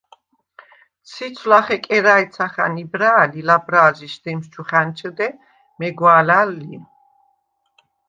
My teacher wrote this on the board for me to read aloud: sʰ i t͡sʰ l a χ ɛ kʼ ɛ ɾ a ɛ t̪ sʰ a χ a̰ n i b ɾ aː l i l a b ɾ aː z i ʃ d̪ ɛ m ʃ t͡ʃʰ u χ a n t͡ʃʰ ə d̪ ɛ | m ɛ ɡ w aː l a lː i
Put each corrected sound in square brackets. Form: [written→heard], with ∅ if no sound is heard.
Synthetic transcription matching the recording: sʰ i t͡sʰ l a χ ɛ kʼ ɛ ɾ a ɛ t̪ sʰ a χ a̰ n i b ɾ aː l i l a b ɾ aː z i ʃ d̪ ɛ m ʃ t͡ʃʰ u χ a n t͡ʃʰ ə d̪ ɛ | m ɛ ɡ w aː l a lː i

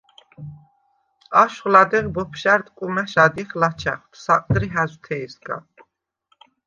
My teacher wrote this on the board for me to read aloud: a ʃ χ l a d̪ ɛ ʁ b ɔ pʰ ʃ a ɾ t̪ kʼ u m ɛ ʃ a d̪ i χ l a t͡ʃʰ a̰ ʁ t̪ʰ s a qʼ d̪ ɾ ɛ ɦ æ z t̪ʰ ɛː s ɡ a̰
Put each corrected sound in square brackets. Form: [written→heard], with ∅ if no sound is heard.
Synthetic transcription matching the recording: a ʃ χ l a d̪ ɛ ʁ b ɔ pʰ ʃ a ɾ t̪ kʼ u m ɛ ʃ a d̪ i χ l a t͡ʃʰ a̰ [ʁ→χ] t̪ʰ s a qʼ d̪ ɾ [ɛ→i] ɦ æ z t̪ʰ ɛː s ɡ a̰

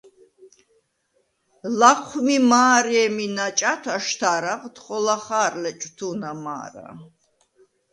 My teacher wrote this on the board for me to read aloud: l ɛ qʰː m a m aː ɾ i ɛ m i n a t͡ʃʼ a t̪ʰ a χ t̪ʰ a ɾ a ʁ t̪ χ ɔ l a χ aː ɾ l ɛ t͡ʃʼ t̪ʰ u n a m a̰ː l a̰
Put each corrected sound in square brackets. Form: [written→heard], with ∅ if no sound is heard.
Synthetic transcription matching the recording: l [ɛ→a] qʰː m [a→i] m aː ɾ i ɛ m i n a t͡ʃʼ a t̪ʰ a [χ→ʃ] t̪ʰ a ɾ a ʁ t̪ χ ɔ l a χ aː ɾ l ɛ t͡ʃʼ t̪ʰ u n a m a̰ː [l→ɾ] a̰

